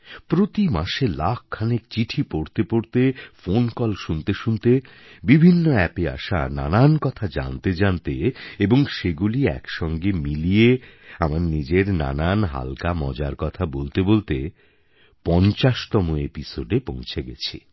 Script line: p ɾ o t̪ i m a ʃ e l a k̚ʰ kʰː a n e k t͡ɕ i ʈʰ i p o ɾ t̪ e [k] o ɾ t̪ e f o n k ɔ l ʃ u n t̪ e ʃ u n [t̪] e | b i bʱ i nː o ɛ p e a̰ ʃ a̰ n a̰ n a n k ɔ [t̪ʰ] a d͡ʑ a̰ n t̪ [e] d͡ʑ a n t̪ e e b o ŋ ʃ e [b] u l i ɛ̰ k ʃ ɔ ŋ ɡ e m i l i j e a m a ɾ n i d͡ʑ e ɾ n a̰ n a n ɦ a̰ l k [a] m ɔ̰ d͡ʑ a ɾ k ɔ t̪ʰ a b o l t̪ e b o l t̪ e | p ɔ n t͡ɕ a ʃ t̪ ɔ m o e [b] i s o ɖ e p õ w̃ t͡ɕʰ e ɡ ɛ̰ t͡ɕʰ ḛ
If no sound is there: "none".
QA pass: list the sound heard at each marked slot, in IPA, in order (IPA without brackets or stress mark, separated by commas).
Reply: p, t̪, t̪ʰ, e, ɡ, a, p